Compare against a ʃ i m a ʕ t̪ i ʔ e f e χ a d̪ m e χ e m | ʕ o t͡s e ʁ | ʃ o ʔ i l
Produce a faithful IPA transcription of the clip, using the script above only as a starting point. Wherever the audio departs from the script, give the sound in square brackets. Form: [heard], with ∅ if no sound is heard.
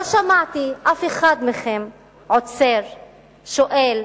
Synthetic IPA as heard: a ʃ [a] m a ʕ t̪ i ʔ [a] f e χ a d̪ m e χ e m | ʕ o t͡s e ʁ | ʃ o ʔ [e] l